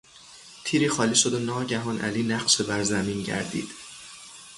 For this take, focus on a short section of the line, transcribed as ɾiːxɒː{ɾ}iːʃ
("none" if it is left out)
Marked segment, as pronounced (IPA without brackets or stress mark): l